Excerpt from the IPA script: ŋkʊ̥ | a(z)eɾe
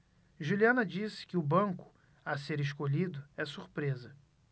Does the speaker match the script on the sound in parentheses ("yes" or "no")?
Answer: no